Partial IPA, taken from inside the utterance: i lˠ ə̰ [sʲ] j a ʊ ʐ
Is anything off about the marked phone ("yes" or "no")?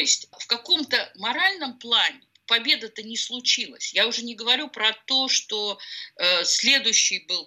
no